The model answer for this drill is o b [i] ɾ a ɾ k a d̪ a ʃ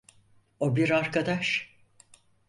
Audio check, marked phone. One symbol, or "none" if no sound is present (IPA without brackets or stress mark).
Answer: i